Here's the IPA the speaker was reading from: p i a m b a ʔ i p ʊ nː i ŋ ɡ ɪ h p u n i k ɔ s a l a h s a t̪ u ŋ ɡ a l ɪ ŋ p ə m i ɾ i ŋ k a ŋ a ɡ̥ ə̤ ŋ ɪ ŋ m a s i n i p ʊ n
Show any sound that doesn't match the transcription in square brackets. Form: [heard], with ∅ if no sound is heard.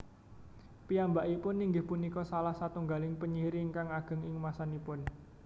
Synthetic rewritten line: p i a m b a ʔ i p ʊ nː i ŋ ɡ ɪ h p u n i k ɔ s a l a h s a t̪ u ŋ ɡ a l ɪ ŋ p ə [ɲ] i ɾ i ŋ k a ŋ a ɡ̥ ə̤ ŋ ɪ ŋ m a s [a] n i p ʊ n